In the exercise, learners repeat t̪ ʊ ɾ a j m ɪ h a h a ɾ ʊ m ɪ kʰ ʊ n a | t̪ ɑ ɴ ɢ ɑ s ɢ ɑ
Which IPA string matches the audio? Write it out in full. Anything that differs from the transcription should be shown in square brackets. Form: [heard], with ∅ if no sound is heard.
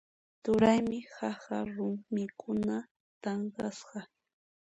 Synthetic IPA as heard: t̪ ʊ ɾ a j m ɪ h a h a ɾ ʊ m ɪ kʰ ʊ n a | t̪ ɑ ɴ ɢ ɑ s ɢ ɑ